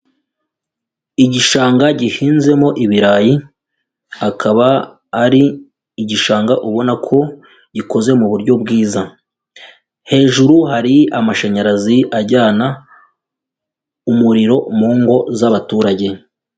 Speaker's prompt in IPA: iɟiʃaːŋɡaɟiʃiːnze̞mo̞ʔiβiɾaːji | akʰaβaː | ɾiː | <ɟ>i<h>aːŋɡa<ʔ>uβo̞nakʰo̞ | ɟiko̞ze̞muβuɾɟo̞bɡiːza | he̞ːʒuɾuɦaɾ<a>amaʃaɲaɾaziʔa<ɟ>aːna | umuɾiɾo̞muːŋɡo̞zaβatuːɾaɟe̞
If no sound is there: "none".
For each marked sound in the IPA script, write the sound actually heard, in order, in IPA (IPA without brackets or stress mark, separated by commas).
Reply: ɟ, ʃ, ʔ, i, ɟ